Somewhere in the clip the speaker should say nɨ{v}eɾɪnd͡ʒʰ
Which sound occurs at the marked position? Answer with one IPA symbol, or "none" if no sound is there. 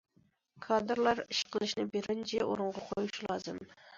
b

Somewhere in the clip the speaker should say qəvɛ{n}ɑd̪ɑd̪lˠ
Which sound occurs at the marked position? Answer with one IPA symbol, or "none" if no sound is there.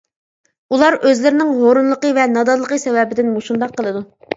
n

